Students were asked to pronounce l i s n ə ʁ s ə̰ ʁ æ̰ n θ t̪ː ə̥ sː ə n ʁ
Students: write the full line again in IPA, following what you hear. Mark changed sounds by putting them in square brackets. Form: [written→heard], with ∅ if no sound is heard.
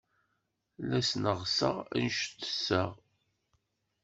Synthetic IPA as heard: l [i→æ] s n ə ʁ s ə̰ ʁ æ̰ n [θ→ʃ] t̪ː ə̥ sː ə [n→∅] ʁ